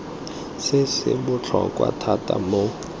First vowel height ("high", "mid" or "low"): high